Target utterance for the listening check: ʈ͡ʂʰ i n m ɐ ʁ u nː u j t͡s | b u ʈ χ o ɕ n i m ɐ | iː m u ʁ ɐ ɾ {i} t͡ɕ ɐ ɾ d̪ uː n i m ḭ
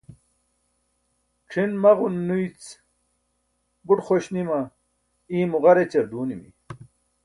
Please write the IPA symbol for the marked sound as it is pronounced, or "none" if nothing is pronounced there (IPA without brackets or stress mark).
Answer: e